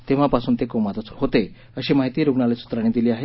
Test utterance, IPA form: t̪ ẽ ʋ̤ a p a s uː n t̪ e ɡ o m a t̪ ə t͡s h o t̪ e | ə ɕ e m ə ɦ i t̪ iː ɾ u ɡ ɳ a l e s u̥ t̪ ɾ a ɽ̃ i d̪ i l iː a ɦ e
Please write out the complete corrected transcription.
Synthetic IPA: t̪ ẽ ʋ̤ a p a s uː n t̪ e k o m a t̪ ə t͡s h o t̪ e | ə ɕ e m a ɦ i t̪ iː ɾ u ɡ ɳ a l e s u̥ t̪ ɾ a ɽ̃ i d̪ i l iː a ɦ e